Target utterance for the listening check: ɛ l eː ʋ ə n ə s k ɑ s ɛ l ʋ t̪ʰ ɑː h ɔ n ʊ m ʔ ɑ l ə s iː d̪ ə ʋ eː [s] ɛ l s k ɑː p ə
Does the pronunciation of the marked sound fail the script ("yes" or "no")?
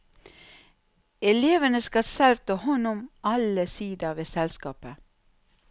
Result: no